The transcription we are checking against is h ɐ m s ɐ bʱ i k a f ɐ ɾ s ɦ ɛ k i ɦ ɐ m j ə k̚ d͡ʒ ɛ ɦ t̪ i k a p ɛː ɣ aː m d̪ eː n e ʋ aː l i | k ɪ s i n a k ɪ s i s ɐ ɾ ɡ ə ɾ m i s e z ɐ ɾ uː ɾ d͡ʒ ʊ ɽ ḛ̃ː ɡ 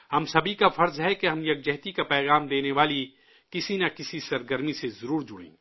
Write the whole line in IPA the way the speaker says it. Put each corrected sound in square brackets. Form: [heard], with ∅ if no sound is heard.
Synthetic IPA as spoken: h ɐ m s ɐ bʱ i k a f ɐ ɾ [z] ɦ ɛ k [e] ɦ ɐ m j [ɐ] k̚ d͡ʒ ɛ ɦ t̪ i k a p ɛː ɣ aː m d̪ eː n e ʋ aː l i | k ɪ s i n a k ɪ s i s ɐ ɾ ɡ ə ɾ m i s e z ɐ ɾ uː ɾ d͡ʒ ʊ ɽ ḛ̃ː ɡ

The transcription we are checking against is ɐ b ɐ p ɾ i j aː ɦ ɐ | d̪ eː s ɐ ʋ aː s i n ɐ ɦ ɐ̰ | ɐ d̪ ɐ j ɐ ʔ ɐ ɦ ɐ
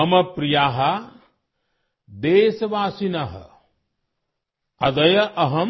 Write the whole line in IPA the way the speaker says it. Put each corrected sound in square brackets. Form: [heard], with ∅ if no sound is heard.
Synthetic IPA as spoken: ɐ [m] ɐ p ɾ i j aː ɦ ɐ | d̪ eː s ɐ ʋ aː s i n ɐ ɦ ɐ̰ | ɐ d̪ ɐ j ɐ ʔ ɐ ɦ ɐ

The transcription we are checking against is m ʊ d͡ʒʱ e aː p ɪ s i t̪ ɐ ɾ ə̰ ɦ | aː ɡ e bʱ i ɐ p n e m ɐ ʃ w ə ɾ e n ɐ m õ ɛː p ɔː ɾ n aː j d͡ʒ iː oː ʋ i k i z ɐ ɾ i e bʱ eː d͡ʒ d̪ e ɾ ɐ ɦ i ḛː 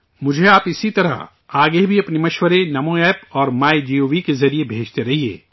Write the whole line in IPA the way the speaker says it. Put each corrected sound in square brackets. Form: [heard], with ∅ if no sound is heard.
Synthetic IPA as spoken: m ʊ d͡ʒʱ e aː p ɪ s i t̪ ɐ ɾ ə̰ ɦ | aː ɡ e bʱ i ɐ p n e m ɐ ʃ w ə ɾ e n ɐ m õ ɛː p ɔː ɾ [m] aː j d͡ʒ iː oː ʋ i k [e] z ɐ ɾ i e bʱ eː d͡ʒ [t̪] e ɾ ɐ ɦ i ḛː

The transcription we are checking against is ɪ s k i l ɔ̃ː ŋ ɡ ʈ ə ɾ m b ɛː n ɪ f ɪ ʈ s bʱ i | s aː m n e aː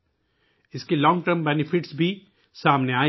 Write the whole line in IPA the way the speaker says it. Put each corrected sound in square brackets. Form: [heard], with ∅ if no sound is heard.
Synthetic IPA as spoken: ɪ s k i l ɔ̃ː ŋ ɡ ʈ ə ɾ m b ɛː n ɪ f ɪ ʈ s bʱ i | s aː m n e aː

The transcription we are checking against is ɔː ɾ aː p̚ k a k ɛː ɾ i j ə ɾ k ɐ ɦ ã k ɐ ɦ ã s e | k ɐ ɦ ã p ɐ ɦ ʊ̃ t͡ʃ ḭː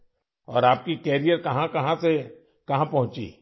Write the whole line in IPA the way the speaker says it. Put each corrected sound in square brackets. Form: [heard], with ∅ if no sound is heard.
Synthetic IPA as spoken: ɔː ɾ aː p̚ k [i] k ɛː ɾ i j ə ɾ k ɐ ɦ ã k ɐ ɦ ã s e | k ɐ ɦ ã p ɐ ɦ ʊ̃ t͡ʃ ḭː

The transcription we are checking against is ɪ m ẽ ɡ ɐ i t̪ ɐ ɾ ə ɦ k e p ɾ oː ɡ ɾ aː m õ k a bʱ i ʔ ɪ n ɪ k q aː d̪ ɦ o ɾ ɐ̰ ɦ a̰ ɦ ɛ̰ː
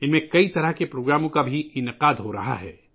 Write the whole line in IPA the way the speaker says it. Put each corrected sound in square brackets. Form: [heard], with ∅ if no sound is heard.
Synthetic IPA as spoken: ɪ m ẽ [k] ɐ i t̪ ɐ ɾ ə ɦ k e p ɾ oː ɡ ɾ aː m õ k a bʱ i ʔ ɪ n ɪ [∅] q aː d̪ ɦ o ɾ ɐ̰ ɦ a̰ ɦ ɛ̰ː

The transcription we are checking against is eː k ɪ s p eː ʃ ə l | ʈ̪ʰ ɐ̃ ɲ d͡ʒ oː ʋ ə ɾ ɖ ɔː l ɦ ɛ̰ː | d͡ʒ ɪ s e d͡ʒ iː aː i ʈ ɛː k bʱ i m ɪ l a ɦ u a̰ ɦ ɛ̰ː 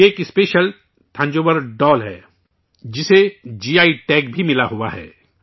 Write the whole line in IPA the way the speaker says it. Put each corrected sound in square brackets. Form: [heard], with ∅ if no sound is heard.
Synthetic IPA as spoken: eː k ɪ s p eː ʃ ə l | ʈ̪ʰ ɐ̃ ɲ d͡ʒ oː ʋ ə ɾ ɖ ɔː l ɦ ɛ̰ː | d͡ʒ ɪ s e d͡ʒ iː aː i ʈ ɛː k bʱ i m ɪ l a ɦ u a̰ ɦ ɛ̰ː

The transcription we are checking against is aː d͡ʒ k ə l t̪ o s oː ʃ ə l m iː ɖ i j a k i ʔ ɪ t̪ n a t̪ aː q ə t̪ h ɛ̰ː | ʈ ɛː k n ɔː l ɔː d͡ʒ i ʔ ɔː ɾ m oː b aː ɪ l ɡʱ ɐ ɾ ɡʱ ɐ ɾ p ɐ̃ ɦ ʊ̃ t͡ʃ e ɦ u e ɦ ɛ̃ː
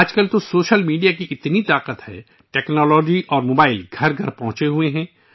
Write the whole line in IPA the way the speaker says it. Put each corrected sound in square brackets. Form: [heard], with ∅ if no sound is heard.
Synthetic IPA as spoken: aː d͡ʒ k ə l t̪ o s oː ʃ ə l m iː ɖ i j a k i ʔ ɪ t̪ n [i] t̪ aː q ə t̪ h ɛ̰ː | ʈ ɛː k n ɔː l ɔː d͡ʒ i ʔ ɔː ɾ m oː b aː ɪ l ɡʱ ɐ ɾ ɡʱ ɐ ɾ p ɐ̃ ɦ ʊ̃ t͡ʃ e ɦ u e ɦ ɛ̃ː

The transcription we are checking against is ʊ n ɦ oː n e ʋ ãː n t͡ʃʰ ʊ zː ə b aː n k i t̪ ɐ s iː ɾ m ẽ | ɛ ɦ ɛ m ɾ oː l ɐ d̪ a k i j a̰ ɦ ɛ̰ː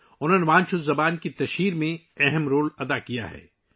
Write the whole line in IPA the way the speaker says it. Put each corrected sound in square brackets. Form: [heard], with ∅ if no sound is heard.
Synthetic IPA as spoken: ʊ n ɦ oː n e ʋ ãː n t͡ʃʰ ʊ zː [ɐ] b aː n k i t̪ ɐ [ʃ] iː ɾ m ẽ | ɛ ɦ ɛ m ɾ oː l ɐ d̪ a k i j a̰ ɦ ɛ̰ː

